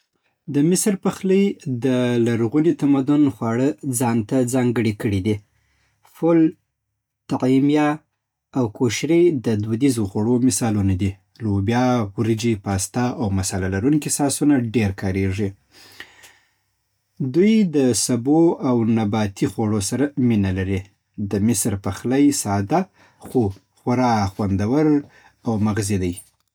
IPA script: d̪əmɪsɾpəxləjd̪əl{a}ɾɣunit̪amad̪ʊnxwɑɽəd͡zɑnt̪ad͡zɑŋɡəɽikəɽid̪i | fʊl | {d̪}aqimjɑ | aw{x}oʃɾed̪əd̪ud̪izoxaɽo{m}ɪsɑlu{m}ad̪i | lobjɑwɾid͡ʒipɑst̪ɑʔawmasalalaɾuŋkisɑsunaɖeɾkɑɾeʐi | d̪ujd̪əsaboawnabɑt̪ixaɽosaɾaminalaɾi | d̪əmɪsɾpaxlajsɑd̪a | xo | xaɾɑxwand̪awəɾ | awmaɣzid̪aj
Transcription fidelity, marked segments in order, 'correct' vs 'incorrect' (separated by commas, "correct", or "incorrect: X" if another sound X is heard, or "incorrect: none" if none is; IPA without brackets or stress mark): correct, incorrect: t̪, incorrect: k, correct, incorrect: n